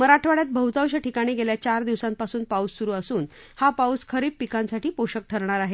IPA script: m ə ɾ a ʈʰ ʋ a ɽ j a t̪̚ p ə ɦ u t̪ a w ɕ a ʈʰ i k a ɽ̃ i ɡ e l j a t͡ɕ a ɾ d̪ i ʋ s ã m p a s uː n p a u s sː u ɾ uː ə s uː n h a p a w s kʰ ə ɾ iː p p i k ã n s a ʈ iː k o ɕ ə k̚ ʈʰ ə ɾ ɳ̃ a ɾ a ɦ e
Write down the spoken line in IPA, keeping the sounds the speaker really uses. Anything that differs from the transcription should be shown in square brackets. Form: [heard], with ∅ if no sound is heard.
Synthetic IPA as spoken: m ə ɾ a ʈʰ ʋ a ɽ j a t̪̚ [b] ə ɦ u t̪ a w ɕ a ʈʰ i k a ɽ̃ i ɡ e l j a t͡ɕ a ɾ d̪ i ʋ s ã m p a s uː n p a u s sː u ɾ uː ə s uː n h a p a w s kʰ ə ɾ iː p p i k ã n s a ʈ iː [p] o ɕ ə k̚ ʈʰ ə ɾ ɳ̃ a ɾ a ɦ e